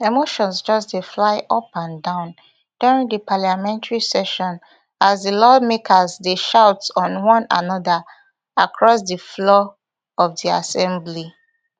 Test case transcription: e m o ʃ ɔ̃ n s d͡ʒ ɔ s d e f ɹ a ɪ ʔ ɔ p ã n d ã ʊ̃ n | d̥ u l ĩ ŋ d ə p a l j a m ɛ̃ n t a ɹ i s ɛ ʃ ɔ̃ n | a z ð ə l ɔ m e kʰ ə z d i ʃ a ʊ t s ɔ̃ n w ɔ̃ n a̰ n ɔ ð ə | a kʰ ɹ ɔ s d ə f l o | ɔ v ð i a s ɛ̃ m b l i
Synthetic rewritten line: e m o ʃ ɔ̃ n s d͡ʒ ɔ s d e f l a ɪ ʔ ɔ p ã n d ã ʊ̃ n | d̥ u ɹ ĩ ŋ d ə p a l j a m ɛ̃ n t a ɹ i s ɛ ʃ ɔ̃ n | a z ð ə l ɔ m e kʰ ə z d e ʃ a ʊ t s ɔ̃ n w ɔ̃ n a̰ n ɔ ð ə | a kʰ ɹ ɔ s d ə f l ɔ | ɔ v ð i a s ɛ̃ m b l i